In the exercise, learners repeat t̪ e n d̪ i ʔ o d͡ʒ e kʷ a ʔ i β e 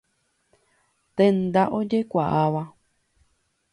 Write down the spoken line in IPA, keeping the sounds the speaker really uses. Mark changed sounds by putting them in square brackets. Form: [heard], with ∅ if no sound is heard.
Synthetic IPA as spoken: t̪ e n d̪ [a] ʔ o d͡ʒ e kʷ a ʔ [a] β [a]